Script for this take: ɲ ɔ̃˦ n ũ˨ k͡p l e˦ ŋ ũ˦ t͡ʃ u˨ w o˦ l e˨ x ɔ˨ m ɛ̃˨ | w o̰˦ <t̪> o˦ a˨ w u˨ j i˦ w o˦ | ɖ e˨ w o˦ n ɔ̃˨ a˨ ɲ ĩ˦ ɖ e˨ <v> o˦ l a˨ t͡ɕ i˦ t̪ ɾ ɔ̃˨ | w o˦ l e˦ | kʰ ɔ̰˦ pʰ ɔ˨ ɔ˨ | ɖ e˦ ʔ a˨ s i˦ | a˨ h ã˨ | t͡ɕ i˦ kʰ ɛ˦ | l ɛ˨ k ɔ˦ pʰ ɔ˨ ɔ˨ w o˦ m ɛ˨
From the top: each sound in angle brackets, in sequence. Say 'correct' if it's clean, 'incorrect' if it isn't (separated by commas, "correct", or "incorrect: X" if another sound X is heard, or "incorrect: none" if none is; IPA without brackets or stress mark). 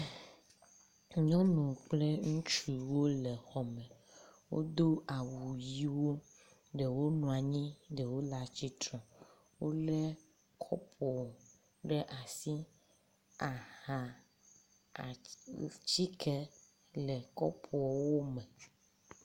incorrect: d̪, incorrect: w